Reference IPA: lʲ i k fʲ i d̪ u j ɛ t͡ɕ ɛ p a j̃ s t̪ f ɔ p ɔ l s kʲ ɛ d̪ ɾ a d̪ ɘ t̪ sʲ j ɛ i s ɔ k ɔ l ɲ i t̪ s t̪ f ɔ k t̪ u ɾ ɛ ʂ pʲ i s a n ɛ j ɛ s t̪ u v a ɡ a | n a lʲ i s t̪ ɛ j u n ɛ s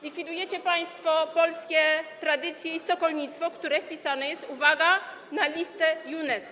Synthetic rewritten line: lʲ i k fʲ i d̪ u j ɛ t͡ɕ ɛ p a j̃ s t̪ f ɔ p ɔ l s kʲ ɛ t̪ ɾ a d̪ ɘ t̪ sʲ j ɛ i s ɔ k ɔ l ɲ i t̪ s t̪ f ɔ k t̪ u ɾ ɛ f pʲ i s a n ɛ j ɛ s t̪ u v a ɡ a | n a lʲ i s t̪ ɛ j u n ɛ s